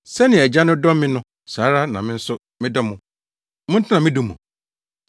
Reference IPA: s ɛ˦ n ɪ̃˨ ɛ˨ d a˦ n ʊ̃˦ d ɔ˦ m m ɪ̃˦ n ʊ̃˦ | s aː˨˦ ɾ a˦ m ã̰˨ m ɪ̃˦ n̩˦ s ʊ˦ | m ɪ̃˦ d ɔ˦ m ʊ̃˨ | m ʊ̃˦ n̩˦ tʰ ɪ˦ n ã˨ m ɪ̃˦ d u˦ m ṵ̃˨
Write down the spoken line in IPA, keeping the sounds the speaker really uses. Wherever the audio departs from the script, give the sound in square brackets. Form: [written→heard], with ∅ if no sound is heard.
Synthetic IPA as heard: s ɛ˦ n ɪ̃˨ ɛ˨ [d→d͡ʑ] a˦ n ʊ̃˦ d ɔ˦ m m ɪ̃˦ n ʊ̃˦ | s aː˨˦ ɾ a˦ [m→n] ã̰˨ m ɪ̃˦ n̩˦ s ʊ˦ | m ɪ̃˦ d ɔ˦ m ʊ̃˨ | m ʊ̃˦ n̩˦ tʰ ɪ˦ n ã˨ m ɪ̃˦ d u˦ m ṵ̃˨